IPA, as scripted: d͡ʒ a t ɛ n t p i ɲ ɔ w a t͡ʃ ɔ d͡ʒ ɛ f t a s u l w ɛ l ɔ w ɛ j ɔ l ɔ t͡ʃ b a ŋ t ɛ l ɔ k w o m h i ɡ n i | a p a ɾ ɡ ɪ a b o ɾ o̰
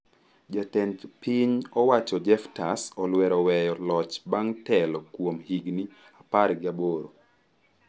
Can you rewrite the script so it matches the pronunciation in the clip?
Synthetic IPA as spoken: d͡ʒ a t ɛ n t p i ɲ ɔ w a t͡ʃ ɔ d͡ʒ ɛ f t a s ɔ l w ɛ ɾ ɔ w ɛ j ɔ l ɔ t͡ʃ b a ŋ t ɛ l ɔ k w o m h i ɡ n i | a p a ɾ ɡ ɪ a b o ɾ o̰

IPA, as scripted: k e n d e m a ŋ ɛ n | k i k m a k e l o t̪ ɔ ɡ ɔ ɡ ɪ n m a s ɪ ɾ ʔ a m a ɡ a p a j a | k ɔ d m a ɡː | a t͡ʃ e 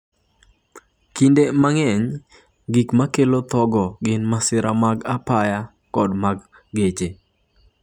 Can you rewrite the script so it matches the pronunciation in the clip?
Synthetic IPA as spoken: k i n d e m a ŋ ɛ ɲ | ɡ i k m a k e l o t̪ ɔ ɡ ɔ ɡ ɪ n m a s ɪ ɾ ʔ a m a ɡ a p a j a | k ɔ d m a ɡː | e t͡ʃ e

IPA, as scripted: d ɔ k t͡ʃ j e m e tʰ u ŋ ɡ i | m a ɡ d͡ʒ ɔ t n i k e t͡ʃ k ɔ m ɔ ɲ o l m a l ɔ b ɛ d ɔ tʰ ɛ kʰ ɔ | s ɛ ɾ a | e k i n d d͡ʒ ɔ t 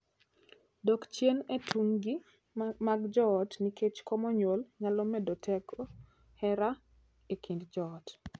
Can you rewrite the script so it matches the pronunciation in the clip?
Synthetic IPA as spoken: d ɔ k t͡ʃ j e n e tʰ u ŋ ɡ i | m a ɡ d͡ʒ ɔ t n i k e t͡ʃ k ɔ m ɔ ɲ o l ɲ a l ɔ m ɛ d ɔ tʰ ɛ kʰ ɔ | h ɛ ɾ a | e k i n d d͡ʒ ɔ t

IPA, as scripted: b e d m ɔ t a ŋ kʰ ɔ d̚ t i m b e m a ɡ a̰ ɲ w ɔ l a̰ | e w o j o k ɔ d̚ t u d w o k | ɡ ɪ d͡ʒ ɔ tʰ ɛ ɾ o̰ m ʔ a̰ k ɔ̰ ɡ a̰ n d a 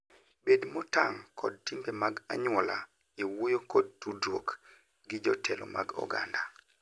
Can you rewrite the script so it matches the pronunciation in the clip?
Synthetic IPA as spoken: b e d m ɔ t a ŋ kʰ ɔ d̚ t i m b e m a ɡ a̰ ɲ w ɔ l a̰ | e w o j o k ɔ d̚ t u d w o k | ɡ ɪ d͡ʒ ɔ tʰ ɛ l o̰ m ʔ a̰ ɡ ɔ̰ ɡ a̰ n d a

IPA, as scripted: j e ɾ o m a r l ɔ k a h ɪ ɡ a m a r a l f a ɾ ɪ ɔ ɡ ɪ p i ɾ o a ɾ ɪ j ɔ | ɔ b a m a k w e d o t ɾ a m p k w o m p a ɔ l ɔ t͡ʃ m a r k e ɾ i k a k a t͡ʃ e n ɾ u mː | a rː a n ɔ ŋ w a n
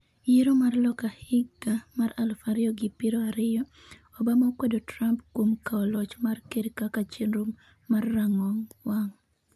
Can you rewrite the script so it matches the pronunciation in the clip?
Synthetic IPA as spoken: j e ɾ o m a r l ɔ k a h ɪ ɡ a m a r a l f a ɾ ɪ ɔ ɡ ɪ p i ɾ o a ɾ ɪ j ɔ | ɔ b a m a k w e d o t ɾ a m p k w o m k a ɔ l ɔ t͡ʃ m a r k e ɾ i k a k a t͡ʃ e n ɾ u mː | a rː a ŋ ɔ ŋ w a ŋ

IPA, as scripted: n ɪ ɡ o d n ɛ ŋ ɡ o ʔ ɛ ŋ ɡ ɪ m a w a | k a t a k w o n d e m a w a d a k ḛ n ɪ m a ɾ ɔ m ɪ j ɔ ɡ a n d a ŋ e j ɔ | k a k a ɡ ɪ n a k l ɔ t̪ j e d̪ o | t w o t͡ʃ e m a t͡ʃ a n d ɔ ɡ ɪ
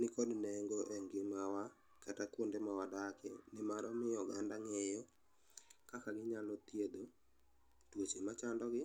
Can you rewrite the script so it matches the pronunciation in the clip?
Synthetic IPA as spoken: n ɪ k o d n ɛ ŋ ɡ o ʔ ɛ ŋ ɡ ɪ m a w a | k a t a k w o n d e m a w a d a k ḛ n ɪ m a ɾ ɔ m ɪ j ɔ ɡ a n d a ŋ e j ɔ | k a k a ɡ ɪ ɲ a l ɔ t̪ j e d̪ o | t w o t͡ʃ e m a t͡ʃ a n d ɔ ɡ ɪ

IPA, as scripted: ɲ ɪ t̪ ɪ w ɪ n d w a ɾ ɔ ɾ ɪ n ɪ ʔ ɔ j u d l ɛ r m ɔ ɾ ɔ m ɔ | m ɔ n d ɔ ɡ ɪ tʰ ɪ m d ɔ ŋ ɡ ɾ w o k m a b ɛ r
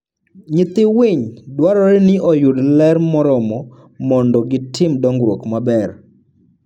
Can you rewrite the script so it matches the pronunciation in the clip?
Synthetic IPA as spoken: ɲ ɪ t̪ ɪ w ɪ ɲ d w a ɾ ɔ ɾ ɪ n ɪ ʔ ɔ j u d l ɛ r m ɔ ɾ ɔ m ɔ | m ɔ n d ɔ ɡ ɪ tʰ ɪ m d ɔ ŋ ɡ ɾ w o k m a b ɛ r

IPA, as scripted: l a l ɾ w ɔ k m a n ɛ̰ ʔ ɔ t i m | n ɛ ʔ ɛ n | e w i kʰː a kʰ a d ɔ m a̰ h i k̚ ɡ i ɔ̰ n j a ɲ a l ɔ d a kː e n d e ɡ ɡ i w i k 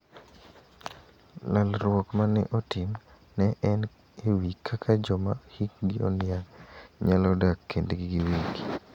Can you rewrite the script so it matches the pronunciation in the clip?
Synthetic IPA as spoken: l a l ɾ w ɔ k m a n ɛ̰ ʔ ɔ t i m | n ɛ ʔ ɛ n | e w i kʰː a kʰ a d͡ʒ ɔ m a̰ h i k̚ ɡ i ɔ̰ n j a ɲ a l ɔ d a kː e n d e ɡ ɡ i w i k

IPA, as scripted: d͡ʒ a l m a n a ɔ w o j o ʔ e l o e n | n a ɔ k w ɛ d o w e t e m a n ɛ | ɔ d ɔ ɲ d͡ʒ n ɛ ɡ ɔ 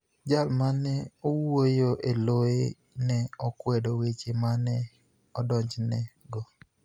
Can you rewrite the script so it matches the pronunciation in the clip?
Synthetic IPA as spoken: d͡ʒ a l m a n ɛ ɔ w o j o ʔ e l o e | n ɛ ɔ k w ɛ d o w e t͡ʃ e m a n ɛ | ɔ d ɔ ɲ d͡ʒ n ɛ ɡ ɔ

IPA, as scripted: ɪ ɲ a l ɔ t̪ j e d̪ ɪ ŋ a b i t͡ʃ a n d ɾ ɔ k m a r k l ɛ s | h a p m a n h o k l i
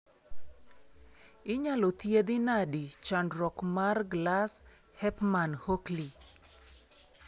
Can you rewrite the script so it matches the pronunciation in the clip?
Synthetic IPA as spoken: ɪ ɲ a l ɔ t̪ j e d̪ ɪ n a d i t͡ʃ a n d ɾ ɔ k m a r ɡ l a s | h ɛ p m a n h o k l i

